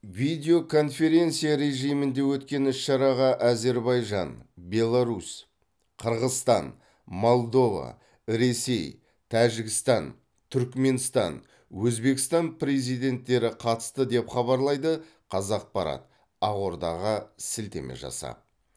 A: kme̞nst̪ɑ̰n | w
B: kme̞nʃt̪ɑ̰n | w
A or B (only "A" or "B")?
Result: A